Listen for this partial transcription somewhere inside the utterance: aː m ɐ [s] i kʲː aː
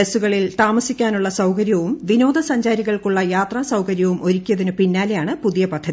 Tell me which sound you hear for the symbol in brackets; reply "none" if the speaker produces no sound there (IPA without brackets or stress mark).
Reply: s